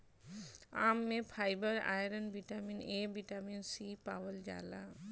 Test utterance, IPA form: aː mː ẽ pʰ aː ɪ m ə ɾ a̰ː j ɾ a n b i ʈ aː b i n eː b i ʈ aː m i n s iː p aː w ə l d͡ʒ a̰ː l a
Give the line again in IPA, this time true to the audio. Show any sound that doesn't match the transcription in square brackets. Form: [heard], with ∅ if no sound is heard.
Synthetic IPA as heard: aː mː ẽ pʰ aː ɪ [b] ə ɾ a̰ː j ɾ [ə] n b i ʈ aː [m] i n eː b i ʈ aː m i n s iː p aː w ə l d͡ʒ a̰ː l a

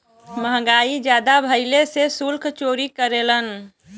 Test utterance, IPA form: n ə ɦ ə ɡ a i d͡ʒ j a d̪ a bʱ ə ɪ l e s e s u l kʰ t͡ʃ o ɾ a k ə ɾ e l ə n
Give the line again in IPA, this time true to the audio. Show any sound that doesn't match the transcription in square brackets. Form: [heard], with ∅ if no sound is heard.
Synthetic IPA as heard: [m] ə ɦ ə ɡ a i d͡ʒ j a d̪ a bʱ ə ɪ l e s e s u l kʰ t͡ʃ o ɾ [i] k ə ɾ e l ə n

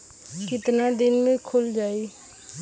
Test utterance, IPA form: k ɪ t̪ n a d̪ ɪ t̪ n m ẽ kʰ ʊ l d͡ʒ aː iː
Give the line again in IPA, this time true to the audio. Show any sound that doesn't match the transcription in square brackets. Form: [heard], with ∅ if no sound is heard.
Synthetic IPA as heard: k ɪ t̪ n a d̪ ɪ [∅] n m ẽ kʰ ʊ l d͡ʒ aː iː

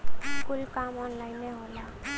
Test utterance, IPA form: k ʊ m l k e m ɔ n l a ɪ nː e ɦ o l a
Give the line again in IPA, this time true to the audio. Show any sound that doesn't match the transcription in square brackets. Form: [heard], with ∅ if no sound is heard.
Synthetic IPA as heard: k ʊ [∅] l k [a] m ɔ n l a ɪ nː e ɦ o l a

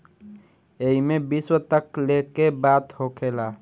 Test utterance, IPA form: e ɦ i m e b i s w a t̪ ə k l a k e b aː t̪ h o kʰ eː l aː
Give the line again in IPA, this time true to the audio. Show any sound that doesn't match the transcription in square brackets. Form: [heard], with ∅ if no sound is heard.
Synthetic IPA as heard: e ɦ i m e b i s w [ə] t̪ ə k l [e] k e b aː t̪ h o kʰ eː l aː

